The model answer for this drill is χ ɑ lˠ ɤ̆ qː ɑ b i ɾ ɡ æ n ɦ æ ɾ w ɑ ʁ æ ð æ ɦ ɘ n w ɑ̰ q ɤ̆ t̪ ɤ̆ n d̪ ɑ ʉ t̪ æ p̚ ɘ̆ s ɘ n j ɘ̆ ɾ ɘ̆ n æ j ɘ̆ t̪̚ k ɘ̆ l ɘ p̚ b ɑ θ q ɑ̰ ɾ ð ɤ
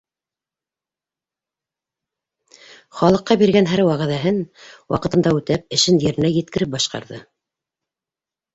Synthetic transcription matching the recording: χ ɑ lˠ ɤ̆ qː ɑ b i ɾ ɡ æ n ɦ æ ɾ w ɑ ʁ æ ð æ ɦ ɘ n w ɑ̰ q ɤ̆ t̪ ɤ̆ n d̪ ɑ ʉ t̪ æ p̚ ɘ̆ ʃ ɘ n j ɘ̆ ɾ ɘ̆ n æ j ɘ̆ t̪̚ k ɘ̆ ɾ ɘ p̚ b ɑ ʃ q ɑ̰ ɾ ð ɤ

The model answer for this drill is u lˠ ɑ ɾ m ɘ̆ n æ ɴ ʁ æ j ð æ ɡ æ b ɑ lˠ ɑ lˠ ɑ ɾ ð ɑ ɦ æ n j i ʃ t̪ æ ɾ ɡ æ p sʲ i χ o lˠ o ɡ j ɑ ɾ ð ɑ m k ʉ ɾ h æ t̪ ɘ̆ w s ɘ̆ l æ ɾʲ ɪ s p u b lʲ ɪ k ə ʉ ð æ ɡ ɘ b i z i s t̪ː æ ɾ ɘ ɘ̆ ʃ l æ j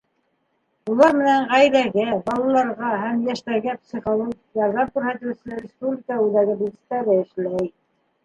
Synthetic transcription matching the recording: u lˠ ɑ ɾ m ɘ̆ n æ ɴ ʁ æ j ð æ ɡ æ b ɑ lˠ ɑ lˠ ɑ ɾ ʁ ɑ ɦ æ m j æ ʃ t̪ æ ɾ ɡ æ p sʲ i χ o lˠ o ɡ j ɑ ɾ ð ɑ m k ʉ ɾ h æ t̪ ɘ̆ w s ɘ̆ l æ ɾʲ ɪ s p u b lʲ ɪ k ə ʉ ð æ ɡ ɘ b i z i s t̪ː æ ɾ ɘ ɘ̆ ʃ l æ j

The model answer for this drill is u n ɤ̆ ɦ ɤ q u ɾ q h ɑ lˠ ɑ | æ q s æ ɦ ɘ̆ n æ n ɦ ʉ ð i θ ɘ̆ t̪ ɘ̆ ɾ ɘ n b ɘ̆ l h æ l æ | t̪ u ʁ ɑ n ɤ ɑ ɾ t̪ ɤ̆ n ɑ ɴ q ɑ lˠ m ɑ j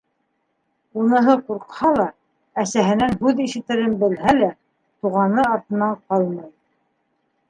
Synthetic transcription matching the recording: u n ɤ̆ ɦ ɤ q u ɾ q h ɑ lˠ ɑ | æ s æ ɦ ɘ̆ n æ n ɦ ʉ ð i ʃ ɘ̆ t̪ ɘ̆ ɾ ɘ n b ɘ̆ l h æ l æ | t̪ u ʁ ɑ n ɤ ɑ ɾ t̪ ɤ̆ n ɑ ɴ q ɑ lˠ m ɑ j

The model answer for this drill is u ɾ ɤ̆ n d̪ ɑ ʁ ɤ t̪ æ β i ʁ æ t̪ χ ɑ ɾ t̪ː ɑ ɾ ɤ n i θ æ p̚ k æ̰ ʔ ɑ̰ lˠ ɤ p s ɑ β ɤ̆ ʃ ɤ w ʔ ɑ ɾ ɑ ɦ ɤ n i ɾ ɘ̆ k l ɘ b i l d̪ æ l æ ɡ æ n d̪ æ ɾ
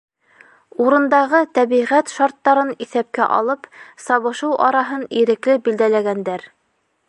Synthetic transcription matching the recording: u ɾ ɤ̆ n d̪ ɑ ʁ ɤ t̪ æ β i ʁ æ t̪ ʃ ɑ ɾ t̪ː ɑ ɾ ɤ n i θ æ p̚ k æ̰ ʔ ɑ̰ lˠ ɤ p s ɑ β ɤ̆ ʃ ɤ w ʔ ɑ ɾ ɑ ɦ ɤ n i ɾ ɘ̆ k l ɘ b i l d̪ æ l æ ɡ æ n d̪ æ ɾ

